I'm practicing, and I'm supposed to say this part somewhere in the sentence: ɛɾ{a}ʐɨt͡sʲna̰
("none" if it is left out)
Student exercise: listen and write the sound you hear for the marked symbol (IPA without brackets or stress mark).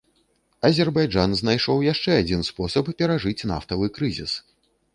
a